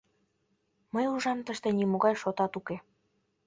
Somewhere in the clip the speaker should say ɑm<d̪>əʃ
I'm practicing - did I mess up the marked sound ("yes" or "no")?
yes